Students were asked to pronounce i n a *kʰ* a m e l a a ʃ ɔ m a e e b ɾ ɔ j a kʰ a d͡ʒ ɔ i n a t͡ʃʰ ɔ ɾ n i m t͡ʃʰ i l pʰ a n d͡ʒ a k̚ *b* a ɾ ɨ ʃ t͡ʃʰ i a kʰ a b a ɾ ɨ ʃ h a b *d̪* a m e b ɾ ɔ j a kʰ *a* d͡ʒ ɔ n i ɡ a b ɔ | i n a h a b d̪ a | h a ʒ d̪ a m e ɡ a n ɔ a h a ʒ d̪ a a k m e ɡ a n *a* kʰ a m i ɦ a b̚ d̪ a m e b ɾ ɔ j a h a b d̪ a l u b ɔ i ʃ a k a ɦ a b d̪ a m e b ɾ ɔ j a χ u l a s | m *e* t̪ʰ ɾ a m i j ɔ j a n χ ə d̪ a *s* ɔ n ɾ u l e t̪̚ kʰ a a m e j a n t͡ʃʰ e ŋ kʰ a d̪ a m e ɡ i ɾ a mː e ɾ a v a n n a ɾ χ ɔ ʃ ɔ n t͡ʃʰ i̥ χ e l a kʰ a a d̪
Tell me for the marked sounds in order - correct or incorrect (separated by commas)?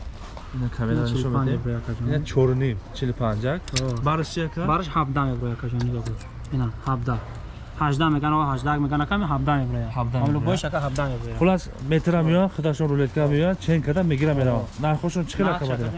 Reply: correct, correct, correct, correct, correct, correct, incorrect